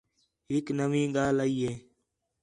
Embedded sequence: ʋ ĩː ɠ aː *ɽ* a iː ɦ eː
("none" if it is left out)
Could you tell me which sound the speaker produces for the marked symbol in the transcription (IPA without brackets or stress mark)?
l